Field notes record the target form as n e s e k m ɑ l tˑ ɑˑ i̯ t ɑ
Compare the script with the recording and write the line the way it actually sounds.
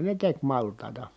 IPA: n e t e k m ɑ l tˑ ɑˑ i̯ t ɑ